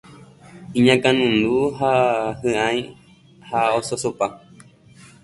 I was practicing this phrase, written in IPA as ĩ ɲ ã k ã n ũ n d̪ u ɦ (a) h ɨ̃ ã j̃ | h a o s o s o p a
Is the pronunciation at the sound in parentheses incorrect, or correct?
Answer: correct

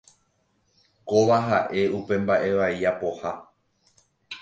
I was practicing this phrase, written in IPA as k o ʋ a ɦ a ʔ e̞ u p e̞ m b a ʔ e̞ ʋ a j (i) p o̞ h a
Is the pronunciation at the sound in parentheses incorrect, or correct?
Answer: incorrect: a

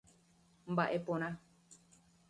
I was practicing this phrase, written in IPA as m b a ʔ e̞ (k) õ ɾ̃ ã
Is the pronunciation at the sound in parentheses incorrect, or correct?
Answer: incorrect: p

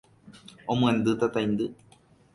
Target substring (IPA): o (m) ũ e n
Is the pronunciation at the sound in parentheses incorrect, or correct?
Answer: correct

